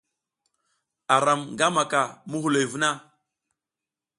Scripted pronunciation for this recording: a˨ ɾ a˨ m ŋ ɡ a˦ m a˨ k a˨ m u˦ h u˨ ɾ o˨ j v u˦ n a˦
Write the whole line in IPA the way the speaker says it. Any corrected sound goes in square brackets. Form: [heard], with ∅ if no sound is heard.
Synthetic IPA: a˨ ɾ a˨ m ŋ ɡ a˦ m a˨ k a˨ m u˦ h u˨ [l] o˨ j v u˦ n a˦